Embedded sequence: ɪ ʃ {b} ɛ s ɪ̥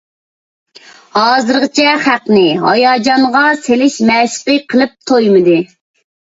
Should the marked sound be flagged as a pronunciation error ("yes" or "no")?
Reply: yes